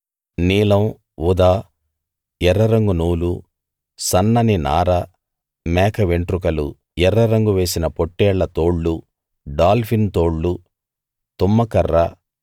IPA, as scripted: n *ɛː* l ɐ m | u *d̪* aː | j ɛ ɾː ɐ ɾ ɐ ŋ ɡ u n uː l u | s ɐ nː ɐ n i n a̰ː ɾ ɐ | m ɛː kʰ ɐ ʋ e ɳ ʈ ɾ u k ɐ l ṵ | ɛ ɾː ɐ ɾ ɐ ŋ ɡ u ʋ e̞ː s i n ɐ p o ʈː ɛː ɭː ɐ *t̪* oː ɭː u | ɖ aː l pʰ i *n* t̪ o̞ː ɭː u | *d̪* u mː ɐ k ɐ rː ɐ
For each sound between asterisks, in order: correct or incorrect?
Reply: incorrect, correct, correct, correct, incorrect

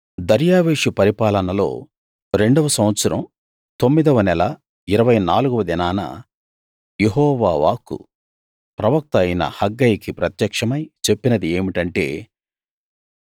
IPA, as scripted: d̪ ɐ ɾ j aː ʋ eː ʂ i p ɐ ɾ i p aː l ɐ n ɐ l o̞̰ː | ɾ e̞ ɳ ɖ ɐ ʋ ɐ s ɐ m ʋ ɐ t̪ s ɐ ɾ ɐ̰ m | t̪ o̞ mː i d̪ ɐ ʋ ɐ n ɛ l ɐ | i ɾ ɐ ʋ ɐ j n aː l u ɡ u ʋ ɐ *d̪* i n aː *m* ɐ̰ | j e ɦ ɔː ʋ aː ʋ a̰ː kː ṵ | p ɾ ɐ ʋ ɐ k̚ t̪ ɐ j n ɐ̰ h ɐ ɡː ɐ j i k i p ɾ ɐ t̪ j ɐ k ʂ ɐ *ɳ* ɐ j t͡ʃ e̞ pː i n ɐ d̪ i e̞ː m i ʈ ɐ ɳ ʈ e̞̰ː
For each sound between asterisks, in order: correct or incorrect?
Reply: correct, incorrect, incorrect

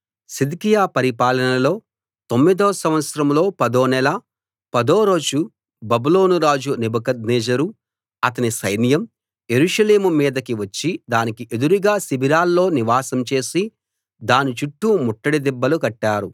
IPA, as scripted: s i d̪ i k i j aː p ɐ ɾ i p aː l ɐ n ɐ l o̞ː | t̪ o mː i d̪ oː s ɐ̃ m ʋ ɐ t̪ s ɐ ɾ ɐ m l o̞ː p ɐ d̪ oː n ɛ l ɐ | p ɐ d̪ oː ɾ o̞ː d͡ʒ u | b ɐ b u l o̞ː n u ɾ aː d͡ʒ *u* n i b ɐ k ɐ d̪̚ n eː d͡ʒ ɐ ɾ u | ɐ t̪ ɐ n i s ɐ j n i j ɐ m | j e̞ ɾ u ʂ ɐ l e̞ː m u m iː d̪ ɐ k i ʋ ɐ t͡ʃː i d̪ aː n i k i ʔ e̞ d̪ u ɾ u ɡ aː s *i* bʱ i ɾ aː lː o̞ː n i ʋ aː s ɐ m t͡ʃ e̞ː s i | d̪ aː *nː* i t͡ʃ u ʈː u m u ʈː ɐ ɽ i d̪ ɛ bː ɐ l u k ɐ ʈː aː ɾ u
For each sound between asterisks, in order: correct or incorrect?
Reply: correct, correct, incorrect

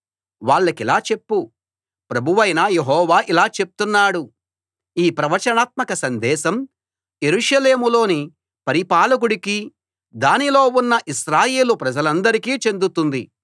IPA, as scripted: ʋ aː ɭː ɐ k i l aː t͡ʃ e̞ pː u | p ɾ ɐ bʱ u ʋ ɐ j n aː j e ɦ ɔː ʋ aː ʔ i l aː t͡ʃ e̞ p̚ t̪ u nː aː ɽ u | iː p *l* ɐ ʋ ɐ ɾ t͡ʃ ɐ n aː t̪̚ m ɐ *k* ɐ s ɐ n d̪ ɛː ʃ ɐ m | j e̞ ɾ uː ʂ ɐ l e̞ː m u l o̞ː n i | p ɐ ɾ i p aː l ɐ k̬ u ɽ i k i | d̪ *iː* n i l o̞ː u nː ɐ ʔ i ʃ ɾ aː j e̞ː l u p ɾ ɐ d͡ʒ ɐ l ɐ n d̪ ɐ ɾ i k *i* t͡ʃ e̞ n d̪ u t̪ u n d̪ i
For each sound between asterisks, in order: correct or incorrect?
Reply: incorrect, correct, incorrect, incorrect

